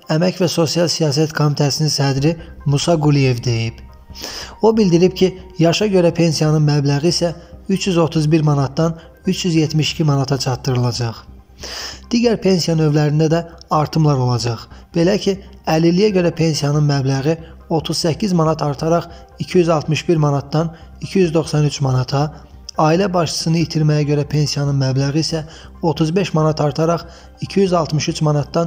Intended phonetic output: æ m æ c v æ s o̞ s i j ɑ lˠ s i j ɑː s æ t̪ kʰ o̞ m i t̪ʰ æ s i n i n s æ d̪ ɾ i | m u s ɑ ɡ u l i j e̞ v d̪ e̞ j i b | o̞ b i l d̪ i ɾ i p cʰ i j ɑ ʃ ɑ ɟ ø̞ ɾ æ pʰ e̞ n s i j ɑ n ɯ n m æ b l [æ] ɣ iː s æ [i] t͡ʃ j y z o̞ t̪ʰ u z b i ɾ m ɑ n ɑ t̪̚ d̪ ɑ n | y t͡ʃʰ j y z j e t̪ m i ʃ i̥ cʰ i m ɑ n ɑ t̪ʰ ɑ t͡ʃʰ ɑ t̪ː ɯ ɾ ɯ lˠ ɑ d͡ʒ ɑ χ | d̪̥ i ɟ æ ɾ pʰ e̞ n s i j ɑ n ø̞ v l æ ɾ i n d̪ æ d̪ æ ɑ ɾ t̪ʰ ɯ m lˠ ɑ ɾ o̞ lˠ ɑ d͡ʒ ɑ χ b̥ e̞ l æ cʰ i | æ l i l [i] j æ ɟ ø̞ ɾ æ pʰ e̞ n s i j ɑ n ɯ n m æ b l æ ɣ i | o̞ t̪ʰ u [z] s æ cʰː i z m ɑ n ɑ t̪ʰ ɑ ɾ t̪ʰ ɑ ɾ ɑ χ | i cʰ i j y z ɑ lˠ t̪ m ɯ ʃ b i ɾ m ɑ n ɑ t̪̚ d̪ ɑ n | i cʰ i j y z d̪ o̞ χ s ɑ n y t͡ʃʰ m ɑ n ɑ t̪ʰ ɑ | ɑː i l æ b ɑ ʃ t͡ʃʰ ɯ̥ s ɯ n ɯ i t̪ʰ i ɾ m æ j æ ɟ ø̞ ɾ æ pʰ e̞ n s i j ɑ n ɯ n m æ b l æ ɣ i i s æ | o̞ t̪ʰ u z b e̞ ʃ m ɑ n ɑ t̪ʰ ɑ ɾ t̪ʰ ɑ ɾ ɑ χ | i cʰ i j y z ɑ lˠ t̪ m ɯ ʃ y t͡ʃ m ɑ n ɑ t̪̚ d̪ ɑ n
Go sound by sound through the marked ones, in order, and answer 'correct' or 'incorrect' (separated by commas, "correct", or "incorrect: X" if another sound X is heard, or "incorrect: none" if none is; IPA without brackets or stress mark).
correct, incorrect: y, correct, correct